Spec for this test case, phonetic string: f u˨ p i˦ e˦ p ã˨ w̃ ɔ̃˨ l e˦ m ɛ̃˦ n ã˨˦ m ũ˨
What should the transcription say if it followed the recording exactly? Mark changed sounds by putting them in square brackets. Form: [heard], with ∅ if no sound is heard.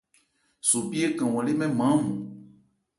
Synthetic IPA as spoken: [s] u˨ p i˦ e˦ [k] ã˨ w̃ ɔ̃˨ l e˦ m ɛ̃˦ [m] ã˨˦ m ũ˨